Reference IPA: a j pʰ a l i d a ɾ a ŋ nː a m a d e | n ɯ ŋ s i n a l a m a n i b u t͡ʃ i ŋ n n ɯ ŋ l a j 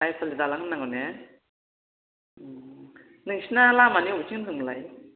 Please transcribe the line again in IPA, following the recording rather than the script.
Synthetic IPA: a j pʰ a l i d a l a ŋ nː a ŋ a n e | n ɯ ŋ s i n a l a m a n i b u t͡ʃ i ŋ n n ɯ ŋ l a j